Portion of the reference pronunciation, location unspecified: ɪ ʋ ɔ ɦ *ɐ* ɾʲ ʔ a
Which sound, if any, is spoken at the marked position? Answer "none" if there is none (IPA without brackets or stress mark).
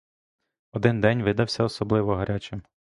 ɐ